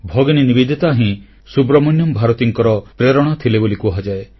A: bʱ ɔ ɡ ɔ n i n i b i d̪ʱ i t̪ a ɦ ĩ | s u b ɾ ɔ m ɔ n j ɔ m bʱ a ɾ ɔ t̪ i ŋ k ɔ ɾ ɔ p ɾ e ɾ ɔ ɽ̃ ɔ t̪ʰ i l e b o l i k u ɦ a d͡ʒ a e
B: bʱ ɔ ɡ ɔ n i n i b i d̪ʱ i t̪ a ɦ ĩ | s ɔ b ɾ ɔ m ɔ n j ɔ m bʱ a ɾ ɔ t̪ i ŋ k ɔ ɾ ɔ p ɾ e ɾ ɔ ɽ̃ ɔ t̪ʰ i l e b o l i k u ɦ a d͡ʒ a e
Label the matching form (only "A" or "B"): A